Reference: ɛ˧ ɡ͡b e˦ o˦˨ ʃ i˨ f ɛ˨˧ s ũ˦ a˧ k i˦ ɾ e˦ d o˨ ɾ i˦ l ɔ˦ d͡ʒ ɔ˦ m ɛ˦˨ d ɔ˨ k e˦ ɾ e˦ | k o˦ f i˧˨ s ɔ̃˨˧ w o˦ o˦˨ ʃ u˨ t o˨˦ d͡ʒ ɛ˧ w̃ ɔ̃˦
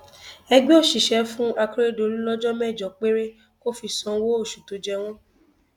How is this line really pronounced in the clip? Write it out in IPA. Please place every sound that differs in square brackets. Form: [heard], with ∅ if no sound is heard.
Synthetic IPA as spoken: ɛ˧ ɡ͡b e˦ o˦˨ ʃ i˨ [ʃ] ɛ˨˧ [f] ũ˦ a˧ k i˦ ɾ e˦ d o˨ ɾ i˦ l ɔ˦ d͡ʒ ɔ˦ m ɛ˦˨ [d͡ʒ] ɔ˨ [k͡p] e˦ ɾ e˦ | k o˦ f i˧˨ s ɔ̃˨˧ w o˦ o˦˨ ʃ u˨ t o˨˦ d͡ʒ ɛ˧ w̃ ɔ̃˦